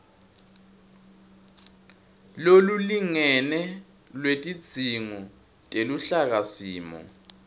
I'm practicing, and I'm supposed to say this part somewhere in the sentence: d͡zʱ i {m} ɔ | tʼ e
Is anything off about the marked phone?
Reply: yes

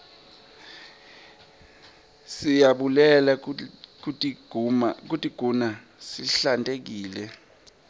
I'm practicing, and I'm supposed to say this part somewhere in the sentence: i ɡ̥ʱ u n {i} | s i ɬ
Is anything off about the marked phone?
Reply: yes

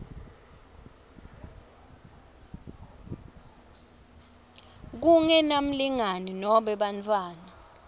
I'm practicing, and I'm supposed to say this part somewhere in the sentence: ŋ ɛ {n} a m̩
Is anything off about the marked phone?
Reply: no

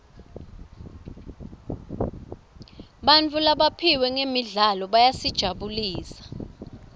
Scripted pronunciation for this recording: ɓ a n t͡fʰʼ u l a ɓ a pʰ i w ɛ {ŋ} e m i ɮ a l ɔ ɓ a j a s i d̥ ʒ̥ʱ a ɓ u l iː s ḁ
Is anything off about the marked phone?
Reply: no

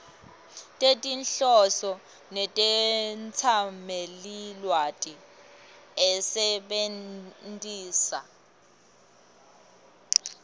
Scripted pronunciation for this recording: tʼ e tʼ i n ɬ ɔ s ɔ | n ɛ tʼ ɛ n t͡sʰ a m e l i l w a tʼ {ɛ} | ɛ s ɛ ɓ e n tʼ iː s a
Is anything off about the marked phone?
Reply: yes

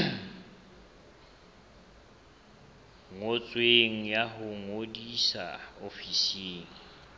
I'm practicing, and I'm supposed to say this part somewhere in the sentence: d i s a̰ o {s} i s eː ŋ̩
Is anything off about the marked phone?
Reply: yes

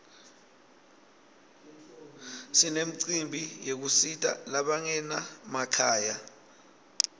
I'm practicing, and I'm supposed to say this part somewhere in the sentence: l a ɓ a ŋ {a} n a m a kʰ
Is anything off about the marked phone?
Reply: yes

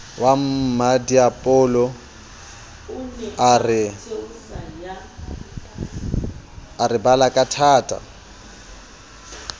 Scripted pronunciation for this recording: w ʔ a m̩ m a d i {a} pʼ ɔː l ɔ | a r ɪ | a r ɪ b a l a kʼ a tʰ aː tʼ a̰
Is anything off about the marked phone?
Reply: no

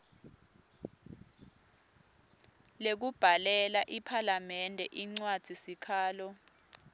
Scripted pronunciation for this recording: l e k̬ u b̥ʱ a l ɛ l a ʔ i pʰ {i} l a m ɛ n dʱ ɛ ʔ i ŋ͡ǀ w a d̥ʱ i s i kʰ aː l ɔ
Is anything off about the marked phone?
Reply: yes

